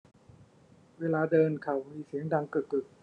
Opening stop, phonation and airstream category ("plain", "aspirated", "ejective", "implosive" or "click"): plain